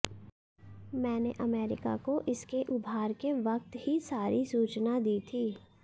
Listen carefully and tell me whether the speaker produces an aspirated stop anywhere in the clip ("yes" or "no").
yes